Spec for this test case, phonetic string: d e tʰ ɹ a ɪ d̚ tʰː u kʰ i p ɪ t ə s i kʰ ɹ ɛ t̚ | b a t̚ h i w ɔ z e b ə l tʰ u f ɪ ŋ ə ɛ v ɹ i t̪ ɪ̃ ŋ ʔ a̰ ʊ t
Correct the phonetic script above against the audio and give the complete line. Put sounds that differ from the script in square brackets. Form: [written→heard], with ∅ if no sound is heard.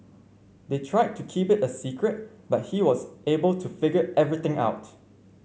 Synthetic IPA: d e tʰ ɹ a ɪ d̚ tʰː u kʰ i p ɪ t ə s i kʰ ɹ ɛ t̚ | b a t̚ h i w ɔ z e b ə l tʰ u f ɪ [ŋ→ɡ] ə ɛ v ɹ i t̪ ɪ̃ ŋ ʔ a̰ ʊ t